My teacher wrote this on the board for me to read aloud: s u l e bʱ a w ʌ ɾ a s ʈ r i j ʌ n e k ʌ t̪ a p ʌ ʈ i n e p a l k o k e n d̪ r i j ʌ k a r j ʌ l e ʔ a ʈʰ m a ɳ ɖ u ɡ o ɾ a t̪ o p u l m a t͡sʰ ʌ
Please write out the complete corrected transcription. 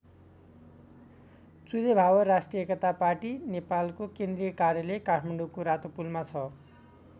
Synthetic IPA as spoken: t͡s u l e bʱ a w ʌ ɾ a s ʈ r i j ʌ e k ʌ t̪ a p a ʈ i n e p a l k o k e n d̪ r i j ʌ k a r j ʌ l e k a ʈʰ m a ɳ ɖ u k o ɾ a t̪ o p u l m a t͡sʰ ʌ